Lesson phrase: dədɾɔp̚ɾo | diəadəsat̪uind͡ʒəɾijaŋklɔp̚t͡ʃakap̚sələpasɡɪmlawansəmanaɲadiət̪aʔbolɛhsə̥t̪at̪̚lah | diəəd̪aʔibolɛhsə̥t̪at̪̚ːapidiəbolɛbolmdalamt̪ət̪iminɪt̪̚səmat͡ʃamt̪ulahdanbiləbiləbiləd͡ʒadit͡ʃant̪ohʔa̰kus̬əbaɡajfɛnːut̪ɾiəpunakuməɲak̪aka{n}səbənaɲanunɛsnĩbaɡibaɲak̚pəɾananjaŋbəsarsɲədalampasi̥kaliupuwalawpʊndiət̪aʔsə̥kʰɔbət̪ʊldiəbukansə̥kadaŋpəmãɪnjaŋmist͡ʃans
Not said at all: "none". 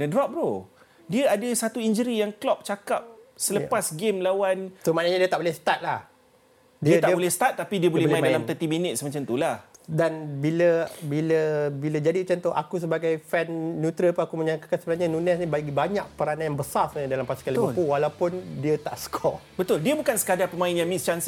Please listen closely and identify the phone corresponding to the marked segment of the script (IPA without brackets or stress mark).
n